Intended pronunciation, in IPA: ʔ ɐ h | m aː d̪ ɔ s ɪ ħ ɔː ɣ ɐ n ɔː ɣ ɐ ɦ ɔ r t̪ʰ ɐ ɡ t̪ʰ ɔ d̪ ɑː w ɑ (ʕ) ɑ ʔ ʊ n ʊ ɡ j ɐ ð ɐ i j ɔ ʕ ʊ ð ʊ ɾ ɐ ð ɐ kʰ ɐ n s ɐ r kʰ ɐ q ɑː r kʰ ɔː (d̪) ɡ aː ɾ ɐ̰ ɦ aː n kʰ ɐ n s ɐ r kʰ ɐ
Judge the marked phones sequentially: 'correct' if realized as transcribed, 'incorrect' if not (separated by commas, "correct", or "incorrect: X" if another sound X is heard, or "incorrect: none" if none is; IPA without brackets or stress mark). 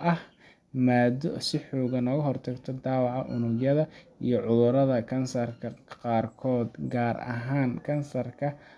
correct, correct